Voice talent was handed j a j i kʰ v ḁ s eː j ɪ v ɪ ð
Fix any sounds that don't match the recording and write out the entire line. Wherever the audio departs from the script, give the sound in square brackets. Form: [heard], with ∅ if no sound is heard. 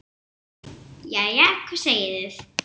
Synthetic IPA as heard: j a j [a] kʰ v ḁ s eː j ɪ [ð] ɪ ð